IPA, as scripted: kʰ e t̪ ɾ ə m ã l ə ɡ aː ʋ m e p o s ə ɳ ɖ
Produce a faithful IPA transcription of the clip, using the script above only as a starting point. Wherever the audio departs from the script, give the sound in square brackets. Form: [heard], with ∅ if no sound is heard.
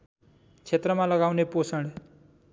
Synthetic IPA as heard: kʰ e t̪ ɾ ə m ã l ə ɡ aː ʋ [n] e p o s ə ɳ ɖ